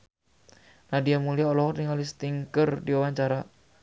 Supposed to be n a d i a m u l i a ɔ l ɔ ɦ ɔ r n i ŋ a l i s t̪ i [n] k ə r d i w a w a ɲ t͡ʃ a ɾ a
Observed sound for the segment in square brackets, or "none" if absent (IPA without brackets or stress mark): ŋ